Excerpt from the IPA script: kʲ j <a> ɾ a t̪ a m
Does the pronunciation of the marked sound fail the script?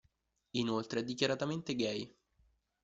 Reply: no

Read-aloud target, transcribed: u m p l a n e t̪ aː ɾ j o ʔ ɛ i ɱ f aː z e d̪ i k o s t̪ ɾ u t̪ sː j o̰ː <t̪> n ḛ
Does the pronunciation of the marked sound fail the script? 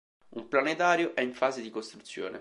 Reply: yes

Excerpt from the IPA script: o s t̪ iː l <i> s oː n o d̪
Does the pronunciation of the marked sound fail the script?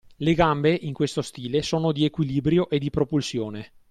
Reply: yes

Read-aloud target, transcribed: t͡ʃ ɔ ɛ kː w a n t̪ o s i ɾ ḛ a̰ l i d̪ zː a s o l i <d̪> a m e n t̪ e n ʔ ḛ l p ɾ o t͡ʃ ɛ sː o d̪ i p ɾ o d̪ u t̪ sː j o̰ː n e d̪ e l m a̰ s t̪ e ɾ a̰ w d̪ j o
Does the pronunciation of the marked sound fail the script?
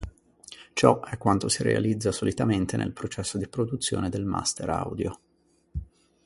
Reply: yes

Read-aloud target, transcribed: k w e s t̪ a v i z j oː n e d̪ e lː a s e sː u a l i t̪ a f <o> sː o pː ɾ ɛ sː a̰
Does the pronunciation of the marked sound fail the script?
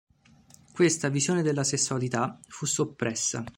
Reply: yes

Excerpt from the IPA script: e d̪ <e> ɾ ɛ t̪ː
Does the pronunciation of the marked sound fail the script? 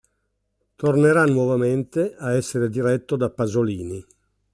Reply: yes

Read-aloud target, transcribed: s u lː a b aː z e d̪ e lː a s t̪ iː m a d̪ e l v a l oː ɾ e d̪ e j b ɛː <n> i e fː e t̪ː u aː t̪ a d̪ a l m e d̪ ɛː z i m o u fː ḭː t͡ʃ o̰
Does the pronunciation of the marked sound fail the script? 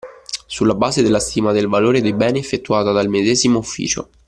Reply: no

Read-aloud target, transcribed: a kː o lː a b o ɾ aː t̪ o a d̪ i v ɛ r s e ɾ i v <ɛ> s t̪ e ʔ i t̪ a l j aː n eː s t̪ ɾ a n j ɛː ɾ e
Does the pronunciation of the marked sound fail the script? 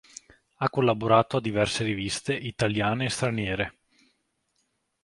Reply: yes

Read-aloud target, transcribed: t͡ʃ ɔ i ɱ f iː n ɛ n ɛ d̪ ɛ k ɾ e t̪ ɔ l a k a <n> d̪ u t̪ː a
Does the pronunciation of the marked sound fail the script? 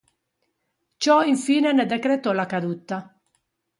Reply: yes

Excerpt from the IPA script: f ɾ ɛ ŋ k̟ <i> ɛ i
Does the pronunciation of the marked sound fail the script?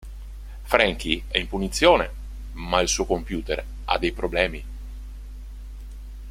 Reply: no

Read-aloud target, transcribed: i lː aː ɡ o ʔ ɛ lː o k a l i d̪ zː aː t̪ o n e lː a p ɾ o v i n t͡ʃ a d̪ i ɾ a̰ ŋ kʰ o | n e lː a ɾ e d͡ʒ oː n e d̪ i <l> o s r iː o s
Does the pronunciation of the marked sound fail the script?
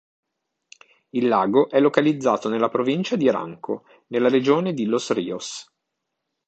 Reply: no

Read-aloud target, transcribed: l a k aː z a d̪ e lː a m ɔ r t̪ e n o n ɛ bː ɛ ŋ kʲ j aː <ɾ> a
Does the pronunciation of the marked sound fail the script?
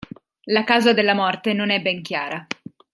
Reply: no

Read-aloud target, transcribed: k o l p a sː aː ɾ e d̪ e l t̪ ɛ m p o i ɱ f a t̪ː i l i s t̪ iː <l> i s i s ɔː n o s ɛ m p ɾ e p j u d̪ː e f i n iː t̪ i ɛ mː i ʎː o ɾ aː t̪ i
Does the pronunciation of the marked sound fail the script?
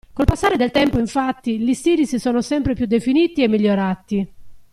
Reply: yes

